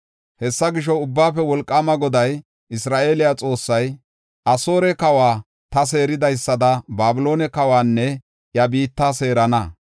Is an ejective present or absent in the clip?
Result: present